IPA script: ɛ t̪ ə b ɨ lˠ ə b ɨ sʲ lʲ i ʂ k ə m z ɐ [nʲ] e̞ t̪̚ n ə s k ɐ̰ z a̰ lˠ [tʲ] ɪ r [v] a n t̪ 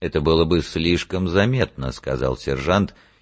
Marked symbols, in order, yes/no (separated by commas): no, no, no